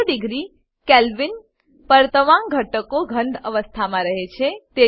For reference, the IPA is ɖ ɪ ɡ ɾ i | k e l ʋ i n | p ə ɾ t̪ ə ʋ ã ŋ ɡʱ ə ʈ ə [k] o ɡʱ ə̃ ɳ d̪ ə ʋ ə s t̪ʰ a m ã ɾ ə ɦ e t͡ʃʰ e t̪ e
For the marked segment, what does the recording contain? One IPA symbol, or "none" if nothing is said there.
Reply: k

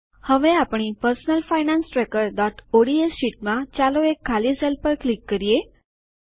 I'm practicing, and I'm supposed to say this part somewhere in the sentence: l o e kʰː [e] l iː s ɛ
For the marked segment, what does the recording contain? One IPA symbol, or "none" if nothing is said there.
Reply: a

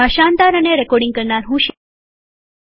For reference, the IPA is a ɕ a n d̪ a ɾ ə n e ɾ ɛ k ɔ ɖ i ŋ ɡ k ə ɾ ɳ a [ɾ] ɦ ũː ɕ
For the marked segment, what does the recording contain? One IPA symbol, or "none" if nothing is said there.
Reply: ɾ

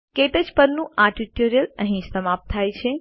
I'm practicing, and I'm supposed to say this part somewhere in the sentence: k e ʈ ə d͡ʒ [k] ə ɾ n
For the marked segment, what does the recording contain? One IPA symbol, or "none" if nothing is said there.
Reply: p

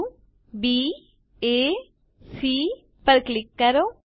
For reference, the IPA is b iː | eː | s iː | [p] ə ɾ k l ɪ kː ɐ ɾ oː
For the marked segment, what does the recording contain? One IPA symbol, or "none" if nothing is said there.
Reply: p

